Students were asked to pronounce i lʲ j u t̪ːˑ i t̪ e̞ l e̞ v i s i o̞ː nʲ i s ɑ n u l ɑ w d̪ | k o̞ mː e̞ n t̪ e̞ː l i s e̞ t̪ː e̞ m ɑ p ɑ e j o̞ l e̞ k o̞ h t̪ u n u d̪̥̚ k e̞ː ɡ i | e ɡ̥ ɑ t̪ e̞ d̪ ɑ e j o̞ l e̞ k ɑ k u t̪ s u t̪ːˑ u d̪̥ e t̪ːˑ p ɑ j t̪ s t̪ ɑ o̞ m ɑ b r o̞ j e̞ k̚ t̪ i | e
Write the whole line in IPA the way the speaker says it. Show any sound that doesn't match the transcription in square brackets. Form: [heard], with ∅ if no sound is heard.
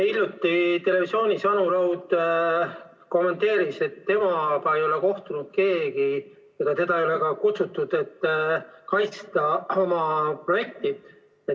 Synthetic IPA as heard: i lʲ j u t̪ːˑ i t̪ e̞ l e̞ v i s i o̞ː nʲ i s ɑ n u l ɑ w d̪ | k o̞ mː e̞ n t̪ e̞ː [ɾ] i s e̞ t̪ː e̞ m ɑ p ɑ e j o̞ l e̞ k o̞ h t̪ u n u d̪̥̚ k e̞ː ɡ i | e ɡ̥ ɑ t̪ e̞ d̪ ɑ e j o̞ l e̞ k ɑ k u t̪ s u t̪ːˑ u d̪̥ e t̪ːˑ [k] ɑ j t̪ s t̪ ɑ o̞ m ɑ [p] r o̞ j e̞ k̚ t̪ i | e